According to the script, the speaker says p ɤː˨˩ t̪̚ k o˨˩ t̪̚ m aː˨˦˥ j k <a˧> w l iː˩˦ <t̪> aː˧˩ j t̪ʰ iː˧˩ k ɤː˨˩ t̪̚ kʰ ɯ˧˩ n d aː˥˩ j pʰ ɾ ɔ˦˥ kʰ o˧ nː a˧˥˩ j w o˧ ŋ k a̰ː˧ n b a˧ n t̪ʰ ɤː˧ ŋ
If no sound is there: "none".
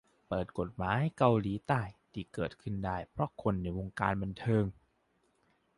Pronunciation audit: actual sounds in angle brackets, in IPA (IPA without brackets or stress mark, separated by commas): a˧, t̪